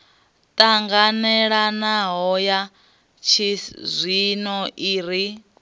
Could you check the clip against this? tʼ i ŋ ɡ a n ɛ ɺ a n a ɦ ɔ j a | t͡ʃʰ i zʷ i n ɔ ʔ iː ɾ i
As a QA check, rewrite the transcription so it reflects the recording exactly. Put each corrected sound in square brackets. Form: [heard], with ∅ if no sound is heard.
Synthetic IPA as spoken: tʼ [a] ŋ ɡ a n ɛ ɺ a n a ɦ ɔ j a | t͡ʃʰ i zʷ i n ɔ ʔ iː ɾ i